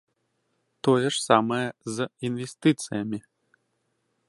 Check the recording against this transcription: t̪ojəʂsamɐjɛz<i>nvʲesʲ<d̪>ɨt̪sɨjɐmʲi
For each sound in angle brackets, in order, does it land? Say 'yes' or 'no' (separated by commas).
yes, no